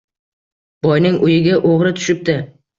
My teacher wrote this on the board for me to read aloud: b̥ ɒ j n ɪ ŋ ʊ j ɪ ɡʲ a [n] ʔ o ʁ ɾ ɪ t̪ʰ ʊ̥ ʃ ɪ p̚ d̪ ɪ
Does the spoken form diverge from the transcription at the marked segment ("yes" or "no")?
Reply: yes